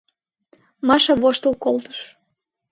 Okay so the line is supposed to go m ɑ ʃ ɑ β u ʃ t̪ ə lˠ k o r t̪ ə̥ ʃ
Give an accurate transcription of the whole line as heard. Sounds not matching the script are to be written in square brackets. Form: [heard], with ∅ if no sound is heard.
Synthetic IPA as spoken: m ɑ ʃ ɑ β [o] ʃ t̪ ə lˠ k o [l] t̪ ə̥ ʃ